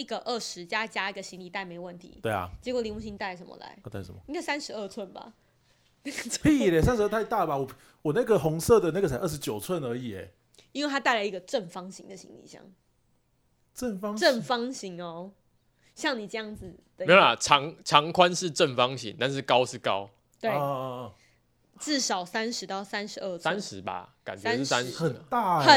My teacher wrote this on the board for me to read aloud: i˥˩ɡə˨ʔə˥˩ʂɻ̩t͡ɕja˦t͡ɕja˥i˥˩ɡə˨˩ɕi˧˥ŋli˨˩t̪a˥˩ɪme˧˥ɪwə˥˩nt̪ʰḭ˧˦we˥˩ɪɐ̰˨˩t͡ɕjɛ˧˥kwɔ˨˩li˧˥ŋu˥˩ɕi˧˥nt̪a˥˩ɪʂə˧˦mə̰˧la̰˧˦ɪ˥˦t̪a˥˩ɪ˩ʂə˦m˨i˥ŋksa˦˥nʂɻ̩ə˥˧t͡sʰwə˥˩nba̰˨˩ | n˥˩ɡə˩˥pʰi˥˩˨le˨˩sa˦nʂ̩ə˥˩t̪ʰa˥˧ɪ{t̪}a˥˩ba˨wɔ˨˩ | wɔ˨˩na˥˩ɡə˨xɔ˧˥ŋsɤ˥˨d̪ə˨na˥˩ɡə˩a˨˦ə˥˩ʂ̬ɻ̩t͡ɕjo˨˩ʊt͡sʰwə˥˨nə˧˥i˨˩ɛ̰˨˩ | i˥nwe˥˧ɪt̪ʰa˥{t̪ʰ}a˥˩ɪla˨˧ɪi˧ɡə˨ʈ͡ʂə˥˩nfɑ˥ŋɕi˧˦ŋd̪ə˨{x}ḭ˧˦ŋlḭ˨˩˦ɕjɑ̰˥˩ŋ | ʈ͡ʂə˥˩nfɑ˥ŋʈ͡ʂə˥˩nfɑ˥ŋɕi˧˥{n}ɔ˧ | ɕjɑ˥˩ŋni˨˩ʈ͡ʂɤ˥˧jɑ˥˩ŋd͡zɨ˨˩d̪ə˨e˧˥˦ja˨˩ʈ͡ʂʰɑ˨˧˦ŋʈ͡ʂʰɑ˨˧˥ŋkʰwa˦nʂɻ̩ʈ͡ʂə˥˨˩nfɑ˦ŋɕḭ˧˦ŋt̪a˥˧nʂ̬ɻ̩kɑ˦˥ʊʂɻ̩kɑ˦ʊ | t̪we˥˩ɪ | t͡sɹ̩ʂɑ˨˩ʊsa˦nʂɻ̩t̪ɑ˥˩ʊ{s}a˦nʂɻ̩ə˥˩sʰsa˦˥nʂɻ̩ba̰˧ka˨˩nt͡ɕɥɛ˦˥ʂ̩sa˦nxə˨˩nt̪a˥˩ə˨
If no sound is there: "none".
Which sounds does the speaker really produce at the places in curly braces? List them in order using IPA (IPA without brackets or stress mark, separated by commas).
t̪, t̪, ɕ, ŋ, s